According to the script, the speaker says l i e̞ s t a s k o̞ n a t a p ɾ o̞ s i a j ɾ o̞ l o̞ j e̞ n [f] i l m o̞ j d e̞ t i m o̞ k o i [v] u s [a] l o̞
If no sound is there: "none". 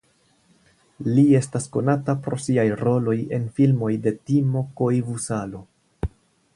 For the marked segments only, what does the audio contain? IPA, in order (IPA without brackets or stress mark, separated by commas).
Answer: f, v, a